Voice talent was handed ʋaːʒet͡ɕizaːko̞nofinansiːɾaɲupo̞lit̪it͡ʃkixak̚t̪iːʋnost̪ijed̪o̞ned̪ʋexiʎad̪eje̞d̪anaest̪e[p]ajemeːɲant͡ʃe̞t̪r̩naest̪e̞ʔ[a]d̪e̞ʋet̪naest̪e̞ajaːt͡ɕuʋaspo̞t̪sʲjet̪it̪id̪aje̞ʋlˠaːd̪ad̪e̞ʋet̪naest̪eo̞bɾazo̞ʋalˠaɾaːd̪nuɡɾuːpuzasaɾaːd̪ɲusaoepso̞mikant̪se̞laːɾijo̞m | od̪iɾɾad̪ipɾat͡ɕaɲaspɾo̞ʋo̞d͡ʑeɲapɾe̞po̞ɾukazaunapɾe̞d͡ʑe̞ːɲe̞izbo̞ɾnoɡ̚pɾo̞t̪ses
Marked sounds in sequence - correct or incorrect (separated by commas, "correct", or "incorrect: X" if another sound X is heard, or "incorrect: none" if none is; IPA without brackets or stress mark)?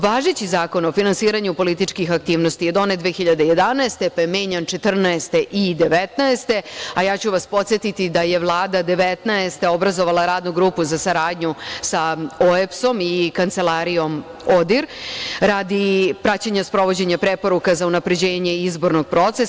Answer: correct, incorrect: i